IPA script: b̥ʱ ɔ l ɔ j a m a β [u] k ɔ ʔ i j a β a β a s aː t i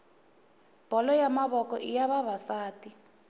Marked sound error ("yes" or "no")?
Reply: yes